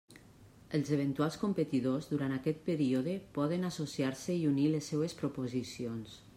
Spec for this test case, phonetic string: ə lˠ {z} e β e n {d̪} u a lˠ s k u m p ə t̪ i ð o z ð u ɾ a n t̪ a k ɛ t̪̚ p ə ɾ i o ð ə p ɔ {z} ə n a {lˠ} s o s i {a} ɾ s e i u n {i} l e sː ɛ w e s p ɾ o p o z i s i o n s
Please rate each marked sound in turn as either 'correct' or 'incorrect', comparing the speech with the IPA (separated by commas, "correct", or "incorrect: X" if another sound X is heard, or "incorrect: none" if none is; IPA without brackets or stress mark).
correct, incorrect: t̪, incorrect: ð, incorrect: none, correct, correct